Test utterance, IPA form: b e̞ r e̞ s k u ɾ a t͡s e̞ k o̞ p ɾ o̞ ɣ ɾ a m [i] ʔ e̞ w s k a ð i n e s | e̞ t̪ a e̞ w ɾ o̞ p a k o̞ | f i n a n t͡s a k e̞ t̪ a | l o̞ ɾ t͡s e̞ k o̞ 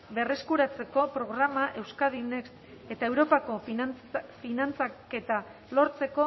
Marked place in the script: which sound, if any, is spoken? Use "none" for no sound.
a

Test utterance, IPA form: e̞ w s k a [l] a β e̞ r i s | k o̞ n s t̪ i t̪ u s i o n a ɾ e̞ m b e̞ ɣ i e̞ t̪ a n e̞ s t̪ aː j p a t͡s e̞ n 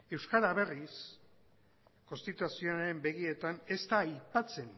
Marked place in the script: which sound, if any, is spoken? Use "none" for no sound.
ɾ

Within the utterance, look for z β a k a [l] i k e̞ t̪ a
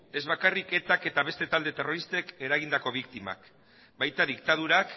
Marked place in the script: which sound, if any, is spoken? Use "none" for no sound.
r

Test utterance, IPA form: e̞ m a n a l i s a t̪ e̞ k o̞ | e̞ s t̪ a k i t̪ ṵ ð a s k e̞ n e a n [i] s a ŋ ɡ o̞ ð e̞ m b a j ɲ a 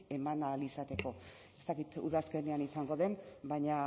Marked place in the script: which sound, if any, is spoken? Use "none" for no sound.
i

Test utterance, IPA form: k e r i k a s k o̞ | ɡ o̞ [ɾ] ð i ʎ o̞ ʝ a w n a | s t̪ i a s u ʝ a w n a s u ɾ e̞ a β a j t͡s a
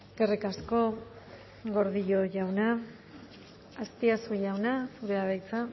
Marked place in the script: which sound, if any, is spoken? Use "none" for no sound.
ɾ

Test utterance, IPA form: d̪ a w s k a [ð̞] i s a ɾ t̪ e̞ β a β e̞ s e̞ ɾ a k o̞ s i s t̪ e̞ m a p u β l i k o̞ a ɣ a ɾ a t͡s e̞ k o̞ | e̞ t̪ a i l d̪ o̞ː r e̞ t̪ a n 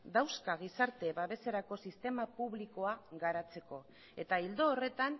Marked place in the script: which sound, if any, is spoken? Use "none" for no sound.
ɣ̞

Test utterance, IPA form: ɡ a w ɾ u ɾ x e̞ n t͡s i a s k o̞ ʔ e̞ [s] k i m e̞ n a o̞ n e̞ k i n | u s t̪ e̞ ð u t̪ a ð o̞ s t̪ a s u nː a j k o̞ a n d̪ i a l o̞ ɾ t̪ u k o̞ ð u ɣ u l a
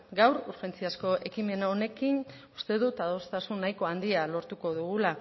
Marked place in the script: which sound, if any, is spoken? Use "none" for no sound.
none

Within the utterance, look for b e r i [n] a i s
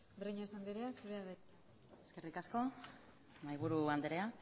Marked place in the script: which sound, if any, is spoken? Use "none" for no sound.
ɲ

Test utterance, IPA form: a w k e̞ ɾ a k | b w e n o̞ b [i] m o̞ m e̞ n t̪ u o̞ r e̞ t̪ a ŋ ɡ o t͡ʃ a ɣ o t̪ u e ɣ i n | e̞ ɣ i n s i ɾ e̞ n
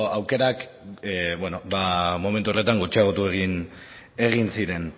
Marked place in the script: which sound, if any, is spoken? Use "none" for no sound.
a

